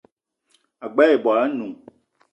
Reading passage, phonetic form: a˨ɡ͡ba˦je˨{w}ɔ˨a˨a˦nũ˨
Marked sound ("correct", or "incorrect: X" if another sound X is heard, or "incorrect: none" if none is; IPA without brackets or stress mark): incorrect: b